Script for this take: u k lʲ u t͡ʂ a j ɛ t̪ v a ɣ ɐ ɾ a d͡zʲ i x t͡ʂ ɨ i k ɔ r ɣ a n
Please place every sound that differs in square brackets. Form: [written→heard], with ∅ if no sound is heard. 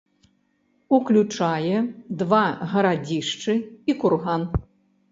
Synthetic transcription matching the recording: u k lʲ u t͡ʂ a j ɛ [t̪→d̪] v a ɣ ɐ ɾ a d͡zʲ i [x→ʂ] t͡ʂ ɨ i k [ɔ→u] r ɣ a n